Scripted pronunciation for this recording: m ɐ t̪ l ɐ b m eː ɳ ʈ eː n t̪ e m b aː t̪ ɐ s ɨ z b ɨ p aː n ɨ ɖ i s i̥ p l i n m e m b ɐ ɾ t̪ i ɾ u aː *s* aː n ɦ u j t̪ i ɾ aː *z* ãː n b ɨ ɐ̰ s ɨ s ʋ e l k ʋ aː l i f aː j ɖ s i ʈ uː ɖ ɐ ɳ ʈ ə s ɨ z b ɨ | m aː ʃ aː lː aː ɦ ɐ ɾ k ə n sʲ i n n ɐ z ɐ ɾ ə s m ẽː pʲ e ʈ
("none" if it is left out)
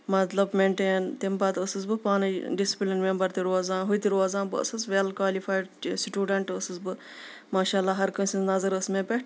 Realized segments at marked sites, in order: z, z

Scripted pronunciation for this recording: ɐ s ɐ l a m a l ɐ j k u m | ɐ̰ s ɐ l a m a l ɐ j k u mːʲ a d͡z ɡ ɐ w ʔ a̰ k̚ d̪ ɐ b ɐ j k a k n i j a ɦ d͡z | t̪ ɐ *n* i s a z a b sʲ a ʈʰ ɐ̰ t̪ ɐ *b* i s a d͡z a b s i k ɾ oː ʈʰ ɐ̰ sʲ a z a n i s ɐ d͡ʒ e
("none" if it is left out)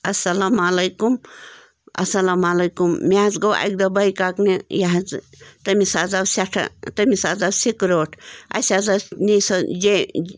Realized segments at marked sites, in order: m, m

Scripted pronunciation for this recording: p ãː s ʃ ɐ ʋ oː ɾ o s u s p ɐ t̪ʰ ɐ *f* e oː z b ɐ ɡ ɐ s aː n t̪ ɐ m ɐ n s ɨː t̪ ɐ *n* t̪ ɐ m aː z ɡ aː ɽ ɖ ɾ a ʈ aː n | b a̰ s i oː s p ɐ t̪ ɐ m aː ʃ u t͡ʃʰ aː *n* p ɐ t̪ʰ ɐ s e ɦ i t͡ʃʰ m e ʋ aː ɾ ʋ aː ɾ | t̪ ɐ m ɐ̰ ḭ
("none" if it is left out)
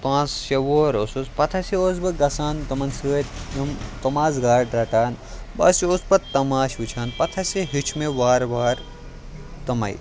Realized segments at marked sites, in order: s, m, n

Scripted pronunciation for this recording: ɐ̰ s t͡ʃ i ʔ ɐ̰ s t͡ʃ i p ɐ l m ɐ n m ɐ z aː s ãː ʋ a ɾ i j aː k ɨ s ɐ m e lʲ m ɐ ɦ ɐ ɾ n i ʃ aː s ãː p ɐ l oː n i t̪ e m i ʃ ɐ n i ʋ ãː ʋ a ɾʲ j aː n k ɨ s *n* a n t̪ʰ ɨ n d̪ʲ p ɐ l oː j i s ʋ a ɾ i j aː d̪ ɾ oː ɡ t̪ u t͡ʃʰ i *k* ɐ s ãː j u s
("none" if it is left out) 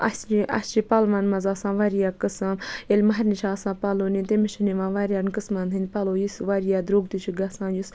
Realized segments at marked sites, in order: m, ɡ

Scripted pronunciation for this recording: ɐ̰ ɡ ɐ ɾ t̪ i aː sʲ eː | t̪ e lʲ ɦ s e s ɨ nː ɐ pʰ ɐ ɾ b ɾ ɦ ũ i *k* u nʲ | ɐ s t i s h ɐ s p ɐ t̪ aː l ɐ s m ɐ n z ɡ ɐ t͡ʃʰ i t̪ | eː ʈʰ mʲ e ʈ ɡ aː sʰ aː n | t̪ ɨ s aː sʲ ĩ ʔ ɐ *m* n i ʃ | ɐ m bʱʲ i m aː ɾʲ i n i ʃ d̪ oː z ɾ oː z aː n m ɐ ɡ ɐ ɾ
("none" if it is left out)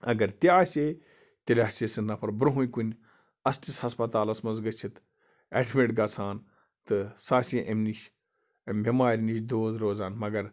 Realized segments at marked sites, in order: k, m

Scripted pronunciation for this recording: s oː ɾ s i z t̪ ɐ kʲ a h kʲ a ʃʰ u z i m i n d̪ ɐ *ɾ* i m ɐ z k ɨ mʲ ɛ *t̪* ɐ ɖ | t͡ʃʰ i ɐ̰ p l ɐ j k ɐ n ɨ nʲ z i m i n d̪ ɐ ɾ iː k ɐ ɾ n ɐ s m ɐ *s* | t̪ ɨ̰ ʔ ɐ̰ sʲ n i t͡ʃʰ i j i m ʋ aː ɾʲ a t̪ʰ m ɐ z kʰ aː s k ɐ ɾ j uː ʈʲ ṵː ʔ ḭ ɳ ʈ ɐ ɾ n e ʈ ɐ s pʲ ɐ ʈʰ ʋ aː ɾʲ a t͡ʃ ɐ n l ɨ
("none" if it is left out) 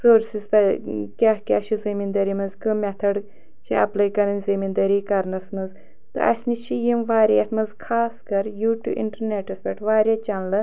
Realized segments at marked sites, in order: ɾ, t̪ʰ, z

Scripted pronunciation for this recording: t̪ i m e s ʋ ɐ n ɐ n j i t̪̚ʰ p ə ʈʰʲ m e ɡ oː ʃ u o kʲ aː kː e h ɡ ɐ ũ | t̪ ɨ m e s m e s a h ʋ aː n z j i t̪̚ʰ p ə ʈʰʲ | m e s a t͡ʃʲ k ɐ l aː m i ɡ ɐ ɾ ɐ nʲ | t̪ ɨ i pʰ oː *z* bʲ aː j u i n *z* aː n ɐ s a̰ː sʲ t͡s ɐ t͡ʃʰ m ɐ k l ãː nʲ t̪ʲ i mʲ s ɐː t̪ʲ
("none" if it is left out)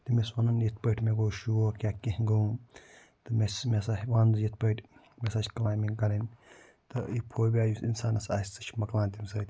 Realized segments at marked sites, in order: none, s

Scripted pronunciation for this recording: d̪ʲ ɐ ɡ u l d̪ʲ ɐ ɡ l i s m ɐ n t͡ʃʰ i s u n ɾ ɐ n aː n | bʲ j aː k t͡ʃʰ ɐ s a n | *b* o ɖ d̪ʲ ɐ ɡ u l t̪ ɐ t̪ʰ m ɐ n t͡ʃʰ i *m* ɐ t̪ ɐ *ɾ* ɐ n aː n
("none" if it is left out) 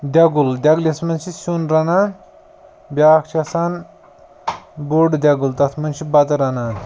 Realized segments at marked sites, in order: b, b, ɾ

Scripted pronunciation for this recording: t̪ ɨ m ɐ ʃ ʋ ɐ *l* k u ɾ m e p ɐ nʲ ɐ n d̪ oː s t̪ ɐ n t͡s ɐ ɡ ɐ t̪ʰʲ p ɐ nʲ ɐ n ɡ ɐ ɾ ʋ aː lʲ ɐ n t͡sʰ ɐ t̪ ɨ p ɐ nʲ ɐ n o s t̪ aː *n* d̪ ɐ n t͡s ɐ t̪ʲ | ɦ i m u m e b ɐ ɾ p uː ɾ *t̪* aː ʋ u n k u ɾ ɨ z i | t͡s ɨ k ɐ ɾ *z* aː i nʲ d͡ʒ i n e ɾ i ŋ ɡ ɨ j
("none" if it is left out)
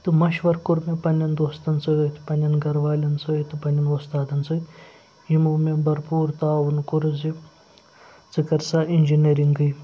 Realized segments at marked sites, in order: ɾ, none, t̪, s

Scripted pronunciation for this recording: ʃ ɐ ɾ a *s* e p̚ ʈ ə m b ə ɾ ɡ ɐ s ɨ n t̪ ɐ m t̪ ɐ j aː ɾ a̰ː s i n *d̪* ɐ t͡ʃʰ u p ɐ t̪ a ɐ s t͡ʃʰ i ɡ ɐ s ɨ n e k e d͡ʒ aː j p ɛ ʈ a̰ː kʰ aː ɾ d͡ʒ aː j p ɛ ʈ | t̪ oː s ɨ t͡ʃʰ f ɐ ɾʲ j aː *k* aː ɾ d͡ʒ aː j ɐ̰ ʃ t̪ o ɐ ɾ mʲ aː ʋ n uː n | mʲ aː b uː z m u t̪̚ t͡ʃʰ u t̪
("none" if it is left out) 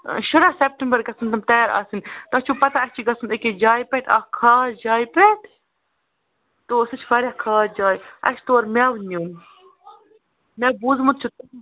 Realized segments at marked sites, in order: s, t̪, kʰ

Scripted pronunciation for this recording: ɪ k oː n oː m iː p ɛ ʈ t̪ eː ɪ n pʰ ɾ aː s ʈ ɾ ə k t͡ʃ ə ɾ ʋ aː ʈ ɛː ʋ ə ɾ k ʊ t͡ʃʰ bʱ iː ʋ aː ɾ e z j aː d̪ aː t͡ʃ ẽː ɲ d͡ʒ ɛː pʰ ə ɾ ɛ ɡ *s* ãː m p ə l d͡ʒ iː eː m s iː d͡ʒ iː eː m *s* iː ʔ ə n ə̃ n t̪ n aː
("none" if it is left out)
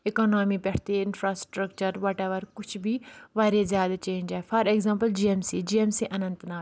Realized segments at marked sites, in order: z, s

